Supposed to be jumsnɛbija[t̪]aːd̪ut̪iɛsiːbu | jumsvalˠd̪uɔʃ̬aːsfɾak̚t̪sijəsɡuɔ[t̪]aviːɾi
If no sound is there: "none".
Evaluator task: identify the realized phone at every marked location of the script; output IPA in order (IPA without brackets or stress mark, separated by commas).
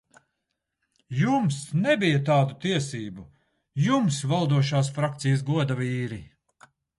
t̪, d̪